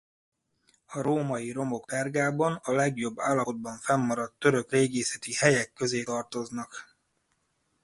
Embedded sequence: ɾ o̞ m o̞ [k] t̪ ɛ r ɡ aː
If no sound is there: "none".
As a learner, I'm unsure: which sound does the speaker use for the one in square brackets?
k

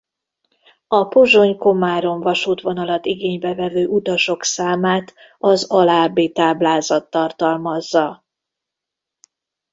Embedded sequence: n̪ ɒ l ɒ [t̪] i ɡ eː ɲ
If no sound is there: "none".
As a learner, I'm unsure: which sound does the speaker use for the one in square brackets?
t̪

